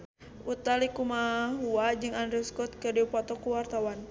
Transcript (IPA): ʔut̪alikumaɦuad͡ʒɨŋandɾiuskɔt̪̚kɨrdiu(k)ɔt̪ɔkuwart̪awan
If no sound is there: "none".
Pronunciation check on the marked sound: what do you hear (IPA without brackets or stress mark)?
p